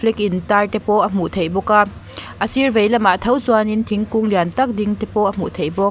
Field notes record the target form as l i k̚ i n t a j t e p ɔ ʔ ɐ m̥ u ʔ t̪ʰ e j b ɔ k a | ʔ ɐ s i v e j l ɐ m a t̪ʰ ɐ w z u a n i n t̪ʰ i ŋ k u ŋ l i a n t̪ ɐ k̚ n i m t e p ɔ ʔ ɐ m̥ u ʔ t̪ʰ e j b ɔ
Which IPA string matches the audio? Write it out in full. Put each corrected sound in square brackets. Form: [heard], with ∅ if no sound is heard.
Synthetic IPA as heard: l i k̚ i n t a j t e p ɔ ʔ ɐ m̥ u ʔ t̪ʰ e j b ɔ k a | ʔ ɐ s i v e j l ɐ m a t̪ʰ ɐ w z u a n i n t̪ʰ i ŋ k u ŋ l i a n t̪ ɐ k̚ [d] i [ŋ] t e p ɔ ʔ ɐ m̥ u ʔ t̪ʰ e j b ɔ